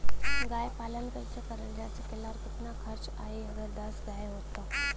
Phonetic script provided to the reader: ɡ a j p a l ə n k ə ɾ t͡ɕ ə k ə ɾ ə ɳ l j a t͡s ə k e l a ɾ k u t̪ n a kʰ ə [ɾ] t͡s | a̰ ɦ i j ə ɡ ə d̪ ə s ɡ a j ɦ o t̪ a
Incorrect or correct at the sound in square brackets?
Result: correct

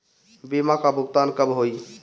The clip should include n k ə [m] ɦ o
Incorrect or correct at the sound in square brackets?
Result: incorrect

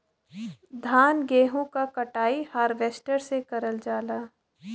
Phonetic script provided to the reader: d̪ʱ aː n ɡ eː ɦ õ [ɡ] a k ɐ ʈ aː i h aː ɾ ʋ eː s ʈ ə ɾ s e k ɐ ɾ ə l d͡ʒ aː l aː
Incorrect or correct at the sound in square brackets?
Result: incorrect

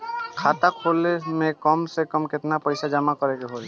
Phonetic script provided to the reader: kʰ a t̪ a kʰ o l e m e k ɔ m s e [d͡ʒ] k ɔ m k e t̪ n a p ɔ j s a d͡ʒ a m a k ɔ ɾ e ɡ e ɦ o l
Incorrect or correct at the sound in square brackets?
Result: incorrect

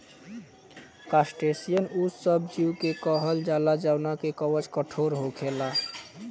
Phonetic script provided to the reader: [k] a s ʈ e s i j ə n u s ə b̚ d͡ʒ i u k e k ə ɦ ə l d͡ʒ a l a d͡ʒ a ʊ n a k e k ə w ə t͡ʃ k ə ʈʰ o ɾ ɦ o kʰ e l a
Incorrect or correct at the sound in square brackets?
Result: correct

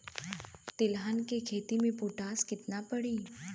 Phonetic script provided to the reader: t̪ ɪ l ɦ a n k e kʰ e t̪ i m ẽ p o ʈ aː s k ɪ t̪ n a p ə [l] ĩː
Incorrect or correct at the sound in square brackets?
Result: incorrect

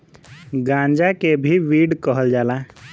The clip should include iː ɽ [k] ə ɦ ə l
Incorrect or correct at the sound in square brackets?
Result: correct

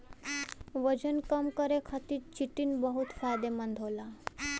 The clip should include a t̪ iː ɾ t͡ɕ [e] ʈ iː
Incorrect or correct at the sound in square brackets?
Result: incorrect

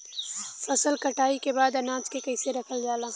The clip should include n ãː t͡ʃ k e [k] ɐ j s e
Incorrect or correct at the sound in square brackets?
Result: correct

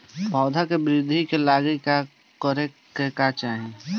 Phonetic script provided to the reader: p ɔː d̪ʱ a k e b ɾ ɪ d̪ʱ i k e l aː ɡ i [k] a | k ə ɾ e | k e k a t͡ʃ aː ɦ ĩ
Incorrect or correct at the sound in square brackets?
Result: correct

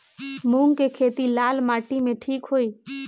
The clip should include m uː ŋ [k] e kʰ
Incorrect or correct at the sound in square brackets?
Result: correct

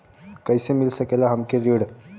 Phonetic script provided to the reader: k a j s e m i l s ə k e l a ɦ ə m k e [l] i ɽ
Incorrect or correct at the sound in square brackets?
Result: incorrect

